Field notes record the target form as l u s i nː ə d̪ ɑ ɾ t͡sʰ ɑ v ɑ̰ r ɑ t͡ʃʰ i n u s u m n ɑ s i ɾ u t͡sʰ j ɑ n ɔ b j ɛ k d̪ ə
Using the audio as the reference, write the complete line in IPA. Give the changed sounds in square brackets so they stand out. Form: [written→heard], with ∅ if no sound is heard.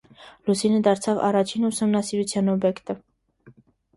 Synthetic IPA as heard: l u s i [nː→n] ə d̪ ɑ ɾ t͡sʰ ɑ v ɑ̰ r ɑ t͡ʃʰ i n u s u m n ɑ s i ɾ u t͡sʰ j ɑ n ɔ b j ɛ k [d̪→t̪] ə